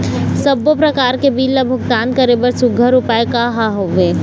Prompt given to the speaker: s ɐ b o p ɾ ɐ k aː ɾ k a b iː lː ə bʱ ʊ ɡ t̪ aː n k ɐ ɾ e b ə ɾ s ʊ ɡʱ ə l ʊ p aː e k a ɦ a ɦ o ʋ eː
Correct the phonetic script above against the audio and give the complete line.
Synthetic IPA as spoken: s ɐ b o p ɾ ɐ k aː ɾ k e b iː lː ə bʱ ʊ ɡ t̪ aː n k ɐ ɾ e b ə ɾ s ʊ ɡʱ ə ɾ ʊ p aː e k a ɦ a ɦ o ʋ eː